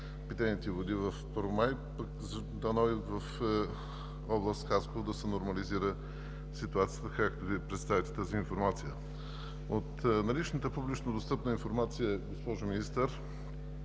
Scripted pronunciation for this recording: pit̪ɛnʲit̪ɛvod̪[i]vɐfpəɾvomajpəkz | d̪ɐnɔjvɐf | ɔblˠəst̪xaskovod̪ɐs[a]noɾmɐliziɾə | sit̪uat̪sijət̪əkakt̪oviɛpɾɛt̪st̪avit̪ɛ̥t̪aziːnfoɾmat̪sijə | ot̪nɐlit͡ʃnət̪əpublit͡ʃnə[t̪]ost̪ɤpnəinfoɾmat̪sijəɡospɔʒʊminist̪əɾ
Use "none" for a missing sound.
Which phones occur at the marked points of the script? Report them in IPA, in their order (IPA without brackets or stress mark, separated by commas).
i, ɛ, d̪